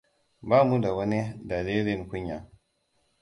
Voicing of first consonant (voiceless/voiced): voiced